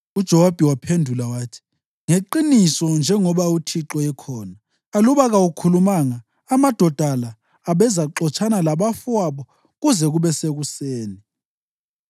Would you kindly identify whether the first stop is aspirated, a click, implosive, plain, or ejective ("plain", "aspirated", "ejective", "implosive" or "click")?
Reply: plain